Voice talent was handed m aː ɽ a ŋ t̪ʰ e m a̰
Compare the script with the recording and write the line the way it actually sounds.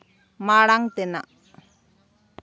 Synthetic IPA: m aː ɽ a ŋ t̪ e n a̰